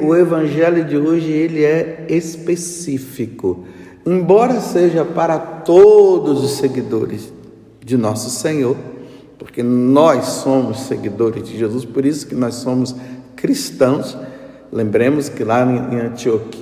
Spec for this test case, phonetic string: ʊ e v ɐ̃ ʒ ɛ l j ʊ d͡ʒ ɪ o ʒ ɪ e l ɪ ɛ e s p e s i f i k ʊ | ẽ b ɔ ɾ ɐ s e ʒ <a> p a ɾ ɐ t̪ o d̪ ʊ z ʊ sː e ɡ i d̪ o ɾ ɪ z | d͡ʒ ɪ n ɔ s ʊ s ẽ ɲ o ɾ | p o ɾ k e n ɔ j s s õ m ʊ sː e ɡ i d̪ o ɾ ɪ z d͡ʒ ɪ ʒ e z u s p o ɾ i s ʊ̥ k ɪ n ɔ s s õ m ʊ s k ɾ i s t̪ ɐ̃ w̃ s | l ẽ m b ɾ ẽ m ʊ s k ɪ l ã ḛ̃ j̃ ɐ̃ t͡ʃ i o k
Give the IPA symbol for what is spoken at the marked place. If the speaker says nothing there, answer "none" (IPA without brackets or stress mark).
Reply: ɐ